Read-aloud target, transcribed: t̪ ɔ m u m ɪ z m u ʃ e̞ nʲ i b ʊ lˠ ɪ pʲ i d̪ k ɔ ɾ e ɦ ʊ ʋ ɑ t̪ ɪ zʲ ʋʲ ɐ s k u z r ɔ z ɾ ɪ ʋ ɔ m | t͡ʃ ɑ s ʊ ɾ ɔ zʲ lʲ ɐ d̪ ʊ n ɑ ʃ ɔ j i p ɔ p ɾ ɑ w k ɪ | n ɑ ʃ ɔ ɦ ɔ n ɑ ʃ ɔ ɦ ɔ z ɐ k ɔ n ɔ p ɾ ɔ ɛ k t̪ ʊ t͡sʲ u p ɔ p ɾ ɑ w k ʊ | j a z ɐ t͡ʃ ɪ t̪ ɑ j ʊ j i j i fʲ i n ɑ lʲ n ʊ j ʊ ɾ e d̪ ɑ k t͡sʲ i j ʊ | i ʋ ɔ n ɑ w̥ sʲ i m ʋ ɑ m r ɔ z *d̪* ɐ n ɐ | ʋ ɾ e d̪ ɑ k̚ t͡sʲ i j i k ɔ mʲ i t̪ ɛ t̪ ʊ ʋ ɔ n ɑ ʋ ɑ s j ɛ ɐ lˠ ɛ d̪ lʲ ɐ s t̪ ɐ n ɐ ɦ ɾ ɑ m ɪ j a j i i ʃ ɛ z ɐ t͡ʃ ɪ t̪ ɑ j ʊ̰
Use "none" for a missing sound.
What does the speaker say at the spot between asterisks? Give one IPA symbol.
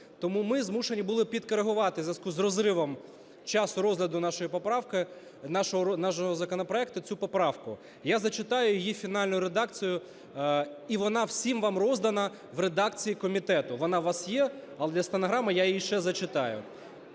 d̪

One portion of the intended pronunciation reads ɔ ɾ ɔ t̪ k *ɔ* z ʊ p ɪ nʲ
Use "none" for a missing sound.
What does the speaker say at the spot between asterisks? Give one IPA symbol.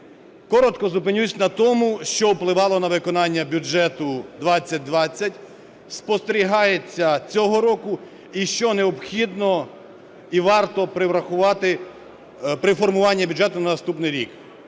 ɔ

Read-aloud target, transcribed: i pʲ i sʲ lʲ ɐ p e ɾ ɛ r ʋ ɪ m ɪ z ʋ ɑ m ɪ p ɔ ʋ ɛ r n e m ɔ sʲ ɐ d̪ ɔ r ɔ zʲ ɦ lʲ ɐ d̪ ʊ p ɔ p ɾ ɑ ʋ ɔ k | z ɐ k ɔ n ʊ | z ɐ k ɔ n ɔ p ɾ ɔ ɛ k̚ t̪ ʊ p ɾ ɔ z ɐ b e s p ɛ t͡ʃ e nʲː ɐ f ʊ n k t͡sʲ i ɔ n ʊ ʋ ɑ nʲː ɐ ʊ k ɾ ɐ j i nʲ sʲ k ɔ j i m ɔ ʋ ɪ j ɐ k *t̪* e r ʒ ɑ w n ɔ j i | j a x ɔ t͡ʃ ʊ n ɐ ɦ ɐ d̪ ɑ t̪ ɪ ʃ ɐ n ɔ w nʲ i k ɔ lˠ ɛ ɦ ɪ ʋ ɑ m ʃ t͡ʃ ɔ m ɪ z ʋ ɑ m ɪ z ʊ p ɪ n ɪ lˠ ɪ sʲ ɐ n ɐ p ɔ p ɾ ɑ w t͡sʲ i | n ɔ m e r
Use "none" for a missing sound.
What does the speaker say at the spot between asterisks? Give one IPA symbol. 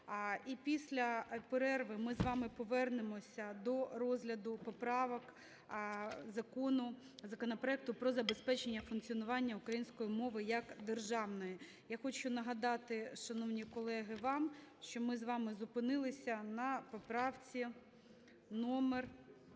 d̪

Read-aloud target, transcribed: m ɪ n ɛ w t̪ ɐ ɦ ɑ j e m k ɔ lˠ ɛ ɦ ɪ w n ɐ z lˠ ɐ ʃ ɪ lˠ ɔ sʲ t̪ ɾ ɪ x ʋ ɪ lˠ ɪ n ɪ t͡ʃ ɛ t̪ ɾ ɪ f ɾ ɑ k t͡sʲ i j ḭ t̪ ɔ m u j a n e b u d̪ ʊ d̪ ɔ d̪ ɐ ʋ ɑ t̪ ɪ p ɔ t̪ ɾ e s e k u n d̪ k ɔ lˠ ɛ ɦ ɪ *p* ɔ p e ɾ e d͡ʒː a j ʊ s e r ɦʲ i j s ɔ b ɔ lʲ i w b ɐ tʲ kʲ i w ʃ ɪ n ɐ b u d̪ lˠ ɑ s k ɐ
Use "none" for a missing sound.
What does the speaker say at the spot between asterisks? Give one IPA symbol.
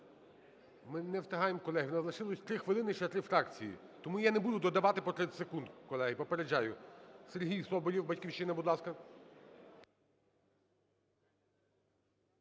p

